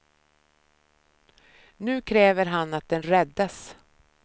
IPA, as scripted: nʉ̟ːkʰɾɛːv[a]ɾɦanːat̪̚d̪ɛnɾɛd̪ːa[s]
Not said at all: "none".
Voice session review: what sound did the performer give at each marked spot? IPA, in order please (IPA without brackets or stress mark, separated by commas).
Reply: ə, s